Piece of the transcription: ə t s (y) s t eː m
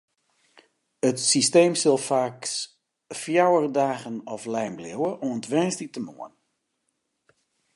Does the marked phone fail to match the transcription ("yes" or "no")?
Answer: yes